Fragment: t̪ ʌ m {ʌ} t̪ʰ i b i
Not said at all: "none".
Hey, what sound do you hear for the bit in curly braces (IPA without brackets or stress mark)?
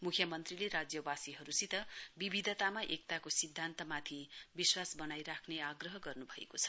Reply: a